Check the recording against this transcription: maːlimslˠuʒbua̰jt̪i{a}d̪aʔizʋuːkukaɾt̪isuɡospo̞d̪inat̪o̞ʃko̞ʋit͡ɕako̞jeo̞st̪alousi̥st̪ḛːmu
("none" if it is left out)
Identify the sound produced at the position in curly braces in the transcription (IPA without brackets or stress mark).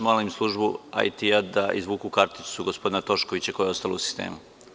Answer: a